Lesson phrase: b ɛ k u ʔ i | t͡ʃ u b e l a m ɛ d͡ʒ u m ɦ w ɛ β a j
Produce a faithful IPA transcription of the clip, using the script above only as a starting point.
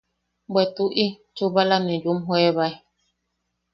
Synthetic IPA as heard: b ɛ t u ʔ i | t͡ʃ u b a l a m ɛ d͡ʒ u m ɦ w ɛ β a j